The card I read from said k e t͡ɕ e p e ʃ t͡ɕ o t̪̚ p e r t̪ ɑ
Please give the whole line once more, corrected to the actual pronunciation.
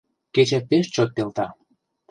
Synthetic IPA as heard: k e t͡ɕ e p e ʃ t͡ɕ o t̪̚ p e l t̪ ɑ